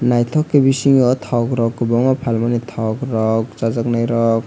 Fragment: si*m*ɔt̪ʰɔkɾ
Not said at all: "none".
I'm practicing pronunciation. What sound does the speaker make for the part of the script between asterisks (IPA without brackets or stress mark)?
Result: ŋ